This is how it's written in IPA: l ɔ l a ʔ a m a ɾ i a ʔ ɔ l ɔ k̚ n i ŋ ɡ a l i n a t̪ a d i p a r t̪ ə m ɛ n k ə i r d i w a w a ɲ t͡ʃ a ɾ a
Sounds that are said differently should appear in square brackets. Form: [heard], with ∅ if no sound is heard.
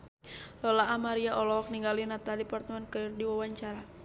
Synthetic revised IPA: l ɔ l a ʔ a m a ɾ i a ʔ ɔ l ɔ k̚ n i ŋ ɡ a l i n a t̪ a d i p a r t̪ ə m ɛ n k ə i r d i w a w a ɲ t͡ʃ a ɾ a

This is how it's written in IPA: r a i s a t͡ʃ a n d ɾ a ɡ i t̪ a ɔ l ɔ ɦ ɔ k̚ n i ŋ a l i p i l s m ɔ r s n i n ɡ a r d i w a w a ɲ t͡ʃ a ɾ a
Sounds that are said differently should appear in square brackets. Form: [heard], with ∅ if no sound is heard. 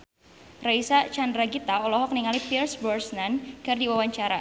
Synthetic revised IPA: r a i s a t͡ʃ a n d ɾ a ɡ i t̪ a ɔ l ɔ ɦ ɔ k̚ n i ŋ a l i p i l s [b] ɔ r s n [a] n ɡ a r d i w a w a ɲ t͡ʃ a ɾ a

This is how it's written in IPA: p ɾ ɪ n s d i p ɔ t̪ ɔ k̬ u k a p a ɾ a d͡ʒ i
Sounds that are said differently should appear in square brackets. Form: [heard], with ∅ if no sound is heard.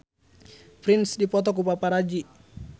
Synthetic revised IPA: p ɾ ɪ n s d i p ɔ t̪ ɔ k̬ u [p] a p a ɾ a d͡ʒ i

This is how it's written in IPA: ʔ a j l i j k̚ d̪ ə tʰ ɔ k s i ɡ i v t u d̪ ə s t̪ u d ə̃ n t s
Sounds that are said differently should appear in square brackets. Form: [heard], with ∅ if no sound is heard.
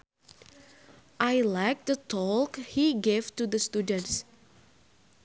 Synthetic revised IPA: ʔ a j l [a] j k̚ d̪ ə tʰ ɔ k [h] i ɡ [e] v t u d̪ ə s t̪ u d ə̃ n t s

